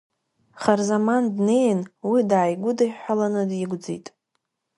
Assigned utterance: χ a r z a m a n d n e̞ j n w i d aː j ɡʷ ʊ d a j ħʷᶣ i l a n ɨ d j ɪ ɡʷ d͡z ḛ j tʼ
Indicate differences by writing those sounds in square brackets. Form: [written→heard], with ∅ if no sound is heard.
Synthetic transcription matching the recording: χ a r z a m a n d n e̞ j n w i d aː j ɡʷ ʊ d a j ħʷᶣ [i→a] l a n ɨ d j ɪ ɡʷ d͡z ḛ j tʼ